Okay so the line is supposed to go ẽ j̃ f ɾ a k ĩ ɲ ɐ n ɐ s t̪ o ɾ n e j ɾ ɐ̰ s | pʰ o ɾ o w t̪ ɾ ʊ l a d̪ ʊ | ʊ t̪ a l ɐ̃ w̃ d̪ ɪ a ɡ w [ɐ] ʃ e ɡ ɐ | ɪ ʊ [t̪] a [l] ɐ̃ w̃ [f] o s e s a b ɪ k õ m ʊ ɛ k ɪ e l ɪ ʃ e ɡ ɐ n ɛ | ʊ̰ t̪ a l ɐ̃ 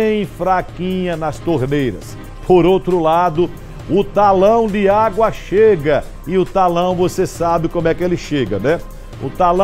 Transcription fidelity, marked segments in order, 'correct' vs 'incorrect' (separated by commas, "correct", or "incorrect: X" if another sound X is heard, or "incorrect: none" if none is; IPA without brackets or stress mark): correct, correct, correct, incorrect: v